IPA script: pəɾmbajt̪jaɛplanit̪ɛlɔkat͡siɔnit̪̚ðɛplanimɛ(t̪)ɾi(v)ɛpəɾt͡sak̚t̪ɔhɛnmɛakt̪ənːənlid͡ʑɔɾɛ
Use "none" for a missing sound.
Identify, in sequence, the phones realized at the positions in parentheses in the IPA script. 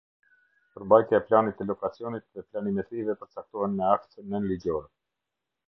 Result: t̪, v

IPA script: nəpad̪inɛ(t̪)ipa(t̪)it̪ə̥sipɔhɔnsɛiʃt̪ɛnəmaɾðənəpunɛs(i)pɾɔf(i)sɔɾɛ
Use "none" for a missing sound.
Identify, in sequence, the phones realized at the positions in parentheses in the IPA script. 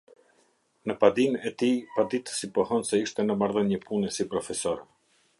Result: t̪, d̪, i, ɛ

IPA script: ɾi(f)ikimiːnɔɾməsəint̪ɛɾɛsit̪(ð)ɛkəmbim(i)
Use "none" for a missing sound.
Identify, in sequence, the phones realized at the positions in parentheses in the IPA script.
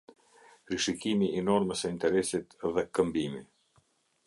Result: ʃ, ð, i

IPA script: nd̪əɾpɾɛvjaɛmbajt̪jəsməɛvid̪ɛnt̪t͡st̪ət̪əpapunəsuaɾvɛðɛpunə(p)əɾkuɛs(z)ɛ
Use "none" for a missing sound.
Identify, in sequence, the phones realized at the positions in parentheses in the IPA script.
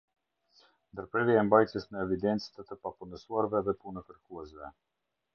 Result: k, v

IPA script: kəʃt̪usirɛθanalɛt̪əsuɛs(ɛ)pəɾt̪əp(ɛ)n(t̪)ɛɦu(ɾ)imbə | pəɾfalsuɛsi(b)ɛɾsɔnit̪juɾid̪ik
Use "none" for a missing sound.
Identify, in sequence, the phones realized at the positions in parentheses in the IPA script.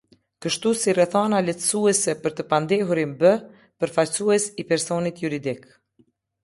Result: ɛ, a, d̪, ɾ, p

